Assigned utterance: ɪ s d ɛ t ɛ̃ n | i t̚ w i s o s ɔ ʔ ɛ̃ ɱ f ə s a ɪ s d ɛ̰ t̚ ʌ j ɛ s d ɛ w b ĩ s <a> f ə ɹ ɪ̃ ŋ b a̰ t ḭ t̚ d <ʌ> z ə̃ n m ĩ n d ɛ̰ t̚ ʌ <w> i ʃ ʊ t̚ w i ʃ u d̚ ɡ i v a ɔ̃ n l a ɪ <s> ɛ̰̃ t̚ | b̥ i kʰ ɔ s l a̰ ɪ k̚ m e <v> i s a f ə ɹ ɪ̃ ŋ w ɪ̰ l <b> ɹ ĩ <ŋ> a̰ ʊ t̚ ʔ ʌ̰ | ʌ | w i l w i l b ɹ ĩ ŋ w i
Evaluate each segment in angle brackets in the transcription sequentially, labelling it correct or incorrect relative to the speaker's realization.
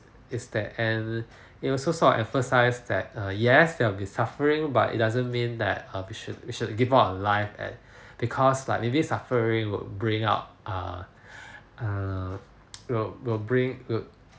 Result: correct, incorrect: a, correct, incorrect: f, incorrect: b, correct, correct

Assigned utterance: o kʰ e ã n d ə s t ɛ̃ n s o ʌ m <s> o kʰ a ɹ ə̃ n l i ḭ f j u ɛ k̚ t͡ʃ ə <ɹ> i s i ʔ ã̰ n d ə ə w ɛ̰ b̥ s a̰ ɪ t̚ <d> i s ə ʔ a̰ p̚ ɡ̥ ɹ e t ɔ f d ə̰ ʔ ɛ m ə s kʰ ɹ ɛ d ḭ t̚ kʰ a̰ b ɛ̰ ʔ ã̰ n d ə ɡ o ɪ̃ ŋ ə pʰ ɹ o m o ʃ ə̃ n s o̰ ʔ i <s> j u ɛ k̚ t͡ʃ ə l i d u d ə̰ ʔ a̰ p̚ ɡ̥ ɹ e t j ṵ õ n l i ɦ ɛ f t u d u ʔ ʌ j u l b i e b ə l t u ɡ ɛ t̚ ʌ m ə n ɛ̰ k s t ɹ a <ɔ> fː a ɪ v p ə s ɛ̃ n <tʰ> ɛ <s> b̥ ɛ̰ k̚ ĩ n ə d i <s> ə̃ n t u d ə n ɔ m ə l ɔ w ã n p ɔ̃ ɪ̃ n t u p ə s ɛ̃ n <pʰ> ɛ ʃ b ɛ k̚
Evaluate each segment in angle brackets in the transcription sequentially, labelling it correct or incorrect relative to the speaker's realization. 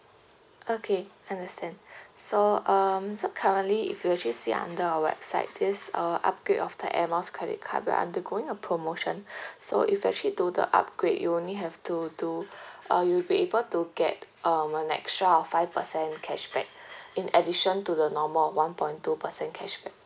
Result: correct, incorrect: l, correct, incorrect: f, correct, incorrect: kʰ, incorrect: ʃ, incorrect: ʃ, incorrect: kʰ

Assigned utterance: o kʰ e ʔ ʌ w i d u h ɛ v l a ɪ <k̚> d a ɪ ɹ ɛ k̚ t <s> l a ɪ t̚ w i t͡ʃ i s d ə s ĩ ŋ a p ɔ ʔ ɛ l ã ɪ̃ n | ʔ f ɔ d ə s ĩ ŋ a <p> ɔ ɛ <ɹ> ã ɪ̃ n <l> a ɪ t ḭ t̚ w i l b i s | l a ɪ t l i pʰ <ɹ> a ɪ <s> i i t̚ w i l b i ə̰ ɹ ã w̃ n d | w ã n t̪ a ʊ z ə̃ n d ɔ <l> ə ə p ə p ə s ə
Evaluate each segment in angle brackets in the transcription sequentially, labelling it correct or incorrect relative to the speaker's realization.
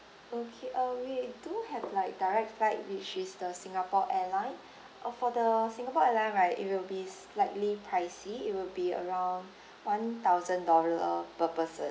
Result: correct, incorrect: f, correct, incorrect: l, incorrect: ɹ, correct, correct, correct

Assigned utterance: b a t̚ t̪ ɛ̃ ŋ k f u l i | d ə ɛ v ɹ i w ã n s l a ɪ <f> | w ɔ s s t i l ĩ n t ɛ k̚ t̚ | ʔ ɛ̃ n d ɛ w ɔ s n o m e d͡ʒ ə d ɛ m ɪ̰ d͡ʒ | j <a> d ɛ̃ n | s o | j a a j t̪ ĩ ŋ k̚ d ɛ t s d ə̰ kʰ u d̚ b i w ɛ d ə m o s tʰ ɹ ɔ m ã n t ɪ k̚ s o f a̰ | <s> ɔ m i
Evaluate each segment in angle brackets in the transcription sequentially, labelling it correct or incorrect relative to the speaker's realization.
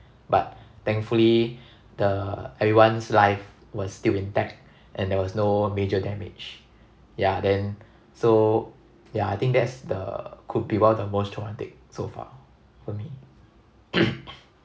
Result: correct, correct, incorrect: f

